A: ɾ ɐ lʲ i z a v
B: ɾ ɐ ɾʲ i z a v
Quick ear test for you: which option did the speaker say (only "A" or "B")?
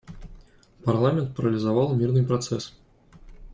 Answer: A